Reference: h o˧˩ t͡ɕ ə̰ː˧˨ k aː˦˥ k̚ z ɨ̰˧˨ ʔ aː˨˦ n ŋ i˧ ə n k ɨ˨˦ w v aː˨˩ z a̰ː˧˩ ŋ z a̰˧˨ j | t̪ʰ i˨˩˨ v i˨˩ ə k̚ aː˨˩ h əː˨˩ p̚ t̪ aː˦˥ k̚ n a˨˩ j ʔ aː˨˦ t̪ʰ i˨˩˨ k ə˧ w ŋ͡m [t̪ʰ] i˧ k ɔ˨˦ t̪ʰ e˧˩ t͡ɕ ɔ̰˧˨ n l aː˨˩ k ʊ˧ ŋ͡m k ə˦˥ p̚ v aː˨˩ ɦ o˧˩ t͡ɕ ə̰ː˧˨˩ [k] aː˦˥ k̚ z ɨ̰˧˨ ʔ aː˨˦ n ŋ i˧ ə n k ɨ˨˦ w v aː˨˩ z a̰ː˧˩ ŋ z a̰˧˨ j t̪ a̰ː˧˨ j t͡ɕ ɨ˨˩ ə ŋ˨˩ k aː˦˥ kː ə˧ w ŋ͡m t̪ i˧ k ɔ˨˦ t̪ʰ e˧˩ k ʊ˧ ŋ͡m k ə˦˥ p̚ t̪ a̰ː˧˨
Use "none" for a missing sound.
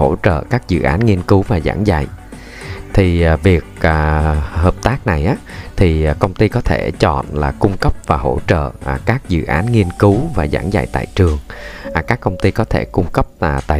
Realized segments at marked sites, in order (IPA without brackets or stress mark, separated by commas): t̪, k